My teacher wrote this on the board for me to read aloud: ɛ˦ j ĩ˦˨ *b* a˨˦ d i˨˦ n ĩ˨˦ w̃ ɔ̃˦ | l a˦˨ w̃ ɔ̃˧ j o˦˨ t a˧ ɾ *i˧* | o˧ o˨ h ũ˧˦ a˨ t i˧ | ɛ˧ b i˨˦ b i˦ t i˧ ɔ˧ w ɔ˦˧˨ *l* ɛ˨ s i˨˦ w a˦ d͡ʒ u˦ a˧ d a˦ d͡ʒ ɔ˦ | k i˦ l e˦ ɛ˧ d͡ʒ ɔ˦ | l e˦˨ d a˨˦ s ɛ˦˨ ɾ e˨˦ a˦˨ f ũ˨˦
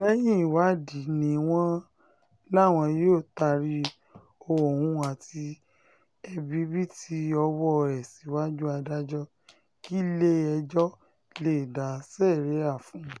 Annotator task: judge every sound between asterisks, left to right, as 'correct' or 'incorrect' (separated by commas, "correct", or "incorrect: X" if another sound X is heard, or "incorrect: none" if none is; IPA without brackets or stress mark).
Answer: incorrect: w, correct, incorrect: ɾ